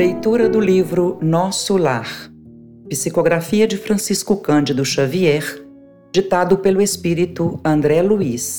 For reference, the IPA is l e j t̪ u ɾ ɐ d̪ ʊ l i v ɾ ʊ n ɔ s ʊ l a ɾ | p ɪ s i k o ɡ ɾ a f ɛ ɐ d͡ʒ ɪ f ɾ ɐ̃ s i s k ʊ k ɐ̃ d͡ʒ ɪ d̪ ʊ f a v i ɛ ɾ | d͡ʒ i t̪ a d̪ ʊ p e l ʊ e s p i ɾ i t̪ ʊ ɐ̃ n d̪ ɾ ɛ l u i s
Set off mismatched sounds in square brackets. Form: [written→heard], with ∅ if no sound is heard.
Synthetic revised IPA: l e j t̪ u ɾ ɐ d̪ ʊ l i v ɾ ʊ n ɔ s ʊ l a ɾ | p [ɪ→i] s i k o ɡ ɾ a f [ɛ→i] ɐ d͡ʒ ɪ f ɾ ɐ̃ s i s k ʊ k ɐ̃ d͡ʒ ɪ d̪ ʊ [f→ʃ] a v i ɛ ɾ | d͡ʒ i t̪ a d̪ ʊ p e l ʊ e s p i ɾ i t̪ ʊ ɐ̃ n d̪ ɾ ɛ l u i s